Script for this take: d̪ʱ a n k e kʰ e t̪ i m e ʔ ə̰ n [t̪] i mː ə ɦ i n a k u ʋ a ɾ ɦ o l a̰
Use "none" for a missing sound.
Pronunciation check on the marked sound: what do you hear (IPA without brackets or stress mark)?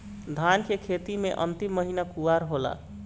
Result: t̪